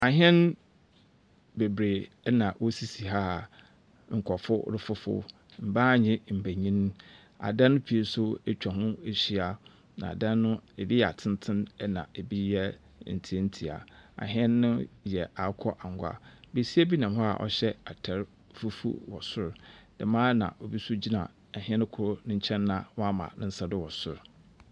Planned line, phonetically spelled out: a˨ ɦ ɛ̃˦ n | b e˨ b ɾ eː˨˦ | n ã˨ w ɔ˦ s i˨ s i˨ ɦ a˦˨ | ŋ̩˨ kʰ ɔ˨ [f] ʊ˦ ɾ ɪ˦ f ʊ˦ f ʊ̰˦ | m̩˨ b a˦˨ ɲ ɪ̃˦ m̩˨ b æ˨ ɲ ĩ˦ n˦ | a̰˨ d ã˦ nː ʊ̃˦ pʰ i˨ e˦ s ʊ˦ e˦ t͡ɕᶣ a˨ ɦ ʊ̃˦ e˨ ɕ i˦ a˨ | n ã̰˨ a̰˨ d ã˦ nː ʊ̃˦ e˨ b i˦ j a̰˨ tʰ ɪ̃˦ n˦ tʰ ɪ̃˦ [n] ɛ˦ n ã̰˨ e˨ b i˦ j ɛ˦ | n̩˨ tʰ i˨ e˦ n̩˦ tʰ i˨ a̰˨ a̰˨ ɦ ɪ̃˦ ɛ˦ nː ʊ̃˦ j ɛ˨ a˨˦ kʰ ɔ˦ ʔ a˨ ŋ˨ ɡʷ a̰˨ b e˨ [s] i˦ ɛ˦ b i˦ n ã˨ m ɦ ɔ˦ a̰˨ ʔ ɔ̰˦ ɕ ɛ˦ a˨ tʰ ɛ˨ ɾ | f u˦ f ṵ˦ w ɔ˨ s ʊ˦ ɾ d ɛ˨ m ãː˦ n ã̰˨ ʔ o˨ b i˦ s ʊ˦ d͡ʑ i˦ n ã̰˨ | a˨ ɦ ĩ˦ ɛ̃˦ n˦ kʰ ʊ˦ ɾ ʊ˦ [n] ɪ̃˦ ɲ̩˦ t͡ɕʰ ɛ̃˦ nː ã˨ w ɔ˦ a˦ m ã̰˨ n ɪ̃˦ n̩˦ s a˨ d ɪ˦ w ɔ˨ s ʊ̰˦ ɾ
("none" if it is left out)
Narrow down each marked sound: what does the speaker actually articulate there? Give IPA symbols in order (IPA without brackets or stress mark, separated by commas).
f, n, s, n